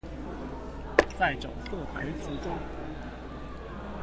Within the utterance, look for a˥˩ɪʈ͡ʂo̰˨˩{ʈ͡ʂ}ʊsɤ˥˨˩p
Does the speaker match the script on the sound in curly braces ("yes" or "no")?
no